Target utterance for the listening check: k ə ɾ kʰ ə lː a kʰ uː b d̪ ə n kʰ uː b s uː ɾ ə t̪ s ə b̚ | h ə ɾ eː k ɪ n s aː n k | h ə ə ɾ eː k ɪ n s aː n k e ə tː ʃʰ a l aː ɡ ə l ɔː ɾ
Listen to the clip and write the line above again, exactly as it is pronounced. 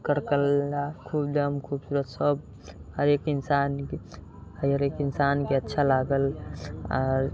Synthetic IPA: k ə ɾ k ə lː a kʰ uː b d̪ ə m kʰ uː b s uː ɾ ə t̪ s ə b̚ | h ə ɾ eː k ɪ n s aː n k | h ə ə ɾ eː k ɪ n s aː n k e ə tː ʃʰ a l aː ɡ ə l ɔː ɾ

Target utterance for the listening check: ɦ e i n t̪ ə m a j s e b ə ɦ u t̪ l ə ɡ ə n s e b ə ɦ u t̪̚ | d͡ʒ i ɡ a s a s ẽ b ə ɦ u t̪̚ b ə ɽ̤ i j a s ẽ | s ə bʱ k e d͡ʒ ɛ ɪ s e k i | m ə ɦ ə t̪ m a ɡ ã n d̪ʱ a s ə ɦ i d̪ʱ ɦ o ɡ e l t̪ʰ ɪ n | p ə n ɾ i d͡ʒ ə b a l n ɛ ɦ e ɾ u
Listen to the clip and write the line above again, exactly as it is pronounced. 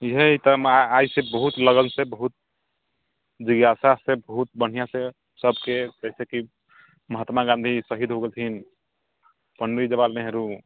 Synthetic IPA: ɦ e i t̪ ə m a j s e b ə ɦ u t̪ l ə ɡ ə n s e b ə ɦ u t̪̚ | d͡ʒ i ɡ a s a s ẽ b ə ɦ u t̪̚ b ə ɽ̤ i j a s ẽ | s ə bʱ k e d͡ʒ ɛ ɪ s e k i | m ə ɦ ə t̪ m a ɡ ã n d̪ʱ i s ə ɦ i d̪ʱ ɦ o ɡ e l t̪ʰ i n | p ə n ɾ i d͡ʒ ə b a l n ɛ ɦ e ɾ u

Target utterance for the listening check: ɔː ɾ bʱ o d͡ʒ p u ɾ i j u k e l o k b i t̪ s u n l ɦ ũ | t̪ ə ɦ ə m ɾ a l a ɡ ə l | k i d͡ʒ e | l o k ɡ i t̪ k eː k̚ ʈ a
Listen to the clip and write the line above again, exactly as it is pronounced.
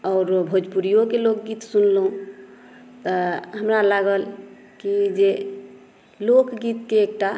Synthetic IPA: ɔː ɾ bʱ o d͡ʒ p u ɾ i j o k e l o k ɡ i t̪ s u n l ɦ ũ | t̪ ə ɦ ə m ɾ a l a ɡ ə l | k i d͡ʒ e | l o k ɡ i t̪ k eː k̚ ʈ a

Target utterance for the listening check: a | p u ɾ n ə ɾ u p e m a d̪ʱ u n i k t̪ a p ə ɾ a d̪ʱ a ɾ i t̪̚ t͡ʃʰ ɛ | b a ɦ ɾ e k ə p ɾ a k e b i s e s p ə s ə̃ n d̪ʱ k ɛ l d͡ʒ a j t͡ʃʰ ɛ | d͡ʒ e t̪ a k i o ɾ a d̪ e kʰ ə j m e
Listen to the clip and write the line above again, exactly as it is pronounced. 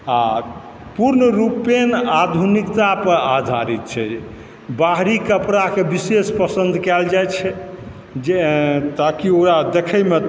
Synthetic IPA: a | p u ɾ n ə ɾ u p e n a d̪ʱ u n i k t̪ a p ə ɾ a d̪ʱ a ɾ i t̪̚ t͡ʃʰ ɛ | b a ɦ ɾ i k ə p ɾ a k e b i s e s p ə s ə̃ n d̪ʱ k ɛ l d͡ʒ a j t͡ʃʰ ɛ | d͡ʒ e t̪ a k i o ɾ a d̪ e kʰ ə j m e

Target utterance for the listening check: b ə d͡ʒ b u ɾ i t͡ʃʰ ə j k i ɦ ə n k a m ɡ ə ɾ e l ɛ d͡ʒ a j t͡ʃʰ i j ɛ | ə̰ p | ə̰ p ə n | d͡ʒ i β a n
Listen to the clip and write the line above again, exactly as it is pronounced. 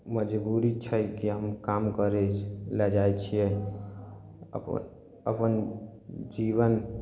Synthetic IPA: m ə d͡ʒ b u ɾ i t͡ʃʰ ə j k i ɦ ə m k a m k ə ɾ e l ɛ d͡ʒ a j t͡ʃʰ i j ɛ | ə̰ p | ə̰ p ə n | d͡ʒ i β ə n

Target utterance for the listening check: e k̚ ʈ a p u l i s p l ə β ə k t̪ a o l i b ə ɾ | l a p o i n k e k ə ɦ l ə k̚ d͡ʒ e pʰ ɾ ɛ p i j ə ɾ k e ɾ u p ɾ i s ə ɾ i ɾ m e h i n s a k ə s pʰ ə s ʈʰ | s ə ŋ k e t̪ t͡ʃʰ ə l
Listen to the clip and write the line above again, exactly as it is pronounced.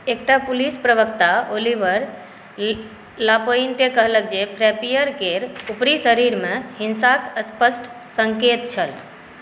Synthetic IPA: e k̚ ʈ a p u l i s p ɾ ə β ə k t̪ a o l i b ə ɾ | l a p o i n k e k ə ɦ l ə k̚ d͡ʒ e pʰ ɾ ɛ p i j ə ɾ k e ɾ u p ɾ i s ə ɾ i ɾ m e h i n s a k ə s p ə s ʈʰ | s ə ŋ k e t̪ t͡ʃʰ ə l

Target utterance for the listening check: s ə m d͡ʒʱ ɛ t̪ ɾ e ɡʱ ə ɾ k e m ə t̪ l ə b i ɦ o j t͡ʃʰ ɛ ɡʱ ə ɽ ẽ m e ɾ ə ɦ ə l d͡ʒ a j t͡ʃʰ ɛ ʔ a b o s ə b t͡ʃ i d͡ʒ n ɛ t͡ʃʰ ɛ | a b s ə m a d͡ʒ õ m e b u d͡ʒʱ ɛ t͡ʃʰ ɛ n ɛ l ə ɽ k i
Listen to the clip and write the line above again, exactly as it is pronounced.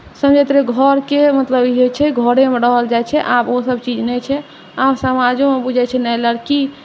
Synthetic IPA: s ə m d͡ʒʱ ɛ t̪ ɾ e ɡʱ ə ɾ k e m ə t̪ l ə b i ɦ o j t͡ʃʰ ɛ ɡʱ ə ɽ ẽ m e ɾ ə ɦ ə l d͡ʒ a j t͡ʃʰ ɛ ʔ a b o s ə b t͡ʃ i d͡ʒ n ɛ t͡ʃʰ ɛ | a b s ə m a d͡ʒ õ m e b u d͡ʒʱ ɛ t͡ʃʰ ɛ n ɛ l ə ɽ k i

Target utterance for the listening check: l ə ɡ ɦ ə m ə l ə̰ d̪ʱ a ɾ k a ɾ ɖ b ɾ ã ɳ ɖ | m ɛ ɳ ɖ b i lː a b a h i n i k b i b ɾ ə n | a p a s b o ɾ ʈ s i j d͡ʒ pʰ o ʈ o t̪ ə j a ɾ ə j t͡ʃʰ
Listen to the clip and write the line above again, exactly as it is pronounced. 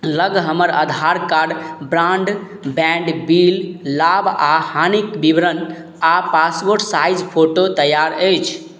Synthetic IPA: l ə ɡ ɦ ə m ə ɾ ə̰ d̪ʱ a ɾ k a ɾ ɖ b ɾ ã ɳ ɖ | b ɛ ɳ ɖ b i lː a b a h a n i k b i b ɾ ə n | a p a s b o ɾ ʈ s a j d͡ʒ pʰ o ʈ o t̪ ə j a ɾ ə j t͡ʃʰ

